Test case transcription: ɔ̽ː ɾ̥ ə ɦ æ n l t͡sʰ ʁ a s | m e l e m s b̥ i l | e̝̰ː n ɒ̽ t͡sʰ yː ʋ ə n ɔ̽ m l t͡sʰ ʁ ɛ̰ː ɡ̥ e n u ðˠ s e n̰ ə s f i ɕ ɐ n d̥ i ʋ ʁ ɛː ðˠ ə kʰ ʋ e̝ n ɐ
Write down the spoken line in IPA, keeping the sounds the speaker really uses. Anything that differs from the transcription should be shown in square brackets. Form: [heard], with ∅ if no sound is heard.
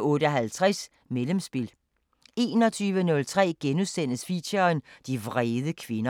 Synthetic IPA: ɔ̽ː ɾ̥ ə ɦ æ [∅] l t͡sʰ ʁ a s | m e l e m s b̥ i l | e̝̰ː n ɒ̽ t͡sʰ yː ʋ ə n ɔ̽ [∅] l t͡sʰ ʁ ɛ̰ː ɡ̥ e n u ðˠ s e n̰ ə s f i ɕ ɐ n d̥ i ʋ ʁ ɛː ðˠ ə kʰ ʋ e̝ n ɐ